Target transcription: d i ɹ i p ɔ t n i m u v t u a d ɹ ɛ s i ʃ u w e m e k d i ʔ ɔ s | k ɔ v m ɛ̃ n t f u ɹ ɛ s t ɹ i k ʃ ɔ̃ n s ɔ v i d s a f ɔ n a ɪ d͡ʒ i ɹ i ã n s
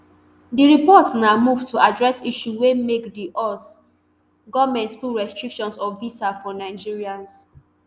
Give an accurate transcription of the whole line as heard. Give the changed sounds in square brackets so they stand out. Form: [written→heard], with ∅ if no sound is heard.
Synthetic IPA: d i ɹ i p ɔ t n [i→a] m u v t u a d ɹ ɛ s i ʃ u w e m e k d i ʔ ɔ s | [k→ɡ] ɔ v m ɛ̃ n t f u ɹ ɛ s t ɹ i k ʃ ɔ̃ n s ɔ v i [d→∅] s a f ɔ n a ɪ d͡ʒ i ɹ i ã n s